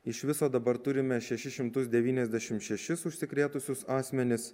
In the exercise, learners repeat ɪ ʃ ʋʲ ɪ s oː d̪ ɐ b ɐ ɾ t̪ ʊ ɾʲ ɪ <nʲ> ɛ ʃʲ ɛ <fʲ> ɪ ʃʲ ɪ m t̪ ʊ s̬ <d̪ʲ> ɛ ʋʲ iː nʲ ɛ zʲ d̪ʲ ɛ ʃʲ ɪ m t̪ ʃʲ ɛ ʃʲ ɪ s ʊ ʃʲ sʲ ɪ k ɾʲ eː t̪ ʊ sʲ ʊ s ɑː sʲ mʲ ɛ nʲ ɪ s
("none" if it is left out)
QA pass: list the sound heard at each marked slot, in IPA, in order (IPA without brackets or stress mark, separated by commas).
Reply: mʲ, ʃʲ, d̪ʲ